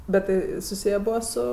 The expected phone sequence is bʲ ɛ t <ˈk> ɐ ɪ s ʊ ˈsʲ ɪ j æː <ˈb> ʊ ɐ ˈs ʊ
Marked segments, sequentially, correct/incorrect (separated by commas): incorrect, correct